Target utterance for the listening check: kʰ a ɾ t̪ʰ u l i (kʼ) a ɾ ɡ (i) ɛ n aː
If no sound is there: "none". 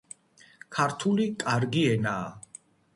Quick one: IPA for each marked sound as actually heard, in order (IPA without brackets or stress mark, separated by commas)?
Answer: kʼ, i